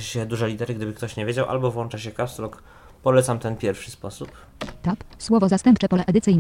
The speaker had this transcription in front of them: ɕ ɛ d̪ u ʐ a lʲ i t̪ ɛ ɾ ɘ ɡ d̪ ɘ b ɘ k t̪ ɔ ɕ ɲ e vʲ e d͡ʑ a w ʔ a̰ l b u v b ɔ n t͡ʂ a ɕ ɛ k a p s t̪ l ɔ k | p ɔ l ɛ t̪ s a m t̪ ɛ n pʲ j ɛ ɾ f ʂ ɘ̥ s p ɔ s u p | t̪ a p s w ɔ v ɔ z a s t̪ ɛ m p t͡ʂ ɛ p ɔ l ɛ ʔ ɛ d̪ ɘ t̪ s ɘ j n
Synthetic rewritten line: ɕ ɛ d̪ u ʐ ɛ lʲ i t̪ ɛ ɾ ɘ ɡ d̪ ɘ b ɘ k t̪ ɔ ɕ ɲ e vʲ e d͡ʑ a w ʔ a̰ l b ɔ v w ɔ n t͡ʂ a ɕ ɛ k a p s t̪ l ɔ k | p ɔ l ɛ t̪ s a m t̪ ɛ n pʲ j ɛ ɾ f ʂ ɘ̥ s p ɔ s u p | t̪ a p s w ɔ v ɔ z a s t̪ ɛ m p t͡ʂ ɛ p ɔ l ɛ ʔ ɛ d̪ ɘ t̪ s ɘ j n